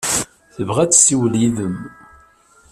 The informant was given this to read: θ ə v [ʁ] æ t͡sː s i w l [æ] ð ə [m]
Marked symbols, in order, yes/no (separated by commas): yes, no, yes